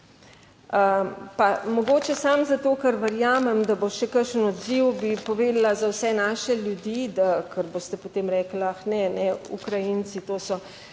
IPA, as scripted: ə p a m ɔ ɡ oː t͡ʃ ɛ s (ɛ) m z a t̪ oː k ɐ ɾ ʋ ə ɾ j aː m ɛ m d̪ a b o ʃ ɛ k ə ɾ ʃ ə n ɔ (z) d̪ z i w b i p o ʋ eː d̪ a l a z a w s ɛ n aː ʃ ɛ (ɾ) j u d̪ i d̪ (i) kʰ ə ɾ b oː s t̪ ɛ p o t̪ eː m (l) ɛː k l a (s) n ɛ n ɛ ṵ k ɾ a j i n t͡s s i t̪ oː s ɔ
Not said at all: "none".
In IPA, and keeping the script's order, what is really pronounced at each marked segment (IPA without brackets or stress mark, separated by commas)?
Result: a, none, l, a, ɾ, x